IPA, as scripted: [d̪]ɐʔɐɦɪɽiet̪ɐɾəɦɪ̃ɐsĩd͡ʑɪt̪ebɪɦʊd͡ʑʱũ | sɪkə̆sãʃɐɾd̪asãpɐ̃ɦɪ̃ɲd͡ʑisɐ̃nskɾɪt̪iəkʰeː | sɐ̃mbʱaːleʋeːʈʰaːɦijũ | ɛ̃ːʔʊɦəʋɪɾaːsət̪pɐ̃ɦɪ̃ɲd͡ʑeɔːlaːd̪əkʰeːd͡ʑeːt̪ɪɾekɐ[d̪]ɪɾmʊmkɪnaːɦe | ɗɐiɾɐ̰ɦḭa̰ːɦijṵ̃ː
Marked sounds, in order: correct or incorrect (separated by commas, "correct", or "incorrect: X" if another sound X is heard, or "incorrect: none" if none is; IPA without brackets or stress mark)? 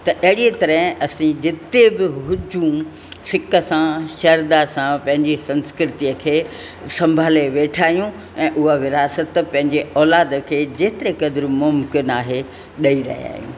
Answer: incorrect: t̪, correct